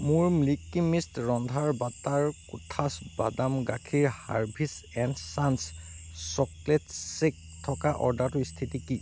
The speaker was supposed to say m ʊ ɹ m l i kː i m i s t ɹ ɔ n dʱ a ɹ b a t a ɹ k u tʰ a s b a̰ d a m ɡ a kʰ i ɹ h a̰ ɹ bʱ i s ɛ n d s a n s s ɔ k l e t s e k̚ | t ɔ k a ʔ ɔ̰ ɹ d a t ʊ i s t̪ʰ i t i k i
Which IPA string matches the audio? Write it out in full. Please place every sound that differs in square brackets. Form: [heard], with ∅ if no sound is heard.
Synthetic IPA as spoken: m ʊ ɹ m l i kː i m i s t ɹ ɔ n dʱ a ɹ b a t a ɹ k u tʰ a s b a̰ d a m ɡ a kʰ i ɹ h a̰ ɹ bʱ i s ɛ n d s a n s s ɔ k l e t s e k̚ | [tʰ] ɔ k a ʔ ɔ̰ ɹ d a t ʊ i s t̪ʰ i t i k i